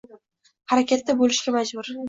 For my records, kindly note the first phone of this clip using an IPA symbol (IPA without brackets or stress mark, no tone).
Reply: h